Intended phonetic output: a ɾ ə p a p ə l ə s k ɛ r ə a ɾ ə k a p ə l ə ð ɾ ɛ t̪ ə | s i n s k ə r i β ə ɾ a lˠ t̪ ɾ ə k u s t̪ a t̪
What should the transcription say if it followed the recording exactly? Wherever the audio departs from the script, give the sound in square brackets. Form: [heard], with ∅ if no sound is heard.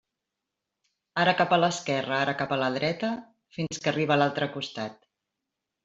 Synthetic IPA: a ɾ ə [k] a p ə l ə s k ɛ r ə a ɾ ə k a p ə l ə ð ɾ ɛ t̪ ə | [f] i n s k ə r i β ə [l] a lˠ t̪ ɾ ə k u s t̪ a t̪